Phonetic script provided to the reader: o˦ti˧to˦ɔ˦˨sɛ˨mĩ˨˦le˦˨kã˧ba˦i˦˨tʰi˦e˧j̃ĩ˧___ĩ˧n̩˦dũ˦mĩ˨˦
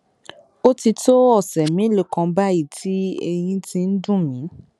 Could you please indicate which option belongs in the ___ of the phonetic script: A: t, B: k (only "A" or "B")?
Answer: A